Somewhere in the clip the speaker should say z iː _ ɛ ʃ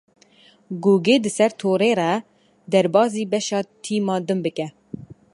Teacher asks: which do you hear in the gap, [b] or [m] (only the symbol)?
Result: b